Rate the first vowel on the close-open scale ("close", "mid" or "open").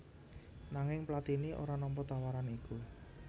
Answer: open